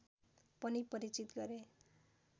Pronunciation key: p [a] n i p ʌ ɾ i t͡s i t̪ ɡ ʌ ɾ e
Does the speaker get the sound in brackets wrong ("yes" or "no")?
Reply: yes